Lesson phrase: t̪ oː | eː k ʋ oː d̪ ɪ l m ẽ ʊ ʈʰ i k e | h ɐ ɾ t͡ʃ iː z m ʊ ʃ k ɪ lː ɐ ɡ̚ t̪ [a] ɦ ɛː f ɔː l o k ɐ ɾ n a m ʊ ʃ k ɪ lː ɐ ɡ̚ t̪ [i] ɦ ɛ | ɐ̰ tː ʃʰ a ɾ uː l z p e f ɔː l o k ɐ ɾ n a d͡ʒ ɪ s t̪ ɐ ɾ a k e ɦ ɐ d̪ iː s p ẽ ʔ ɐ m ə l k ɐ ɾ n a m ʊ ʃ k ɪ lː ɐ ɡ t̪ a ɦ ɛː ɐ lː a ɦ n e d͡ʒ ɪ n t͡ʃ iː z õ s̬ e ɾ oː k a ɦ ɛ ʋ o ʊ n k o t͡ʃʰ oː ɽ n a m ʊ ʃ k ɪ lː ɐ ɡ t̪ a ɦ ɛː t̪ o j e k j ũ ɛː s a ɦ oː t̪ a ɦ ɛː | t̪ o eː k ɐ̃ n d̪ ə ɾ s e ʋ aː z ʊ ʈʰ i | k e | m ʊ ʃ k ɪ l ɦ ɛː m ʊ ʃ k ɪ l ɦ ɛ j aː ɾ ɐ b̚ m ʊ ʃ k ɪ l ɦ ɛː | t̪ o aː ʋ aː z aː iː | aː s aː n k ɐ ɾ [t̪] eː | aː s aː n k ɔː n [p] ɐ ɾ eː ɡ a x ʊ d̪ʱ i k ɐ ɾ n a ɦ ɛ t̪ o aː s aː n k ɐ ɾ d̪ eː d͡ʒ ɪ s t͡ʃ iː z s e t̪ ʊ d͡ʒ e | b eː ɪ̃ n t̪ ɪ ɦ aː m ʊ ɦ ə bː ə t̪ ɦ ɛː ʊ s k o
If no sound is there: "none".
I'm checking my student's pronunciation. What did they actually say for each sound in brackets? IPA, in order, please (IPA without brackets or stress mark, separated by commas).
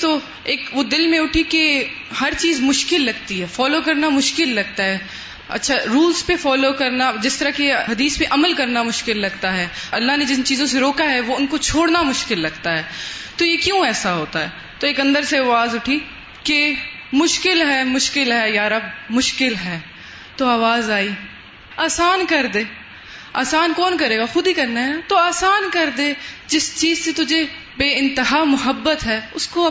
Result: i, a, d̪, k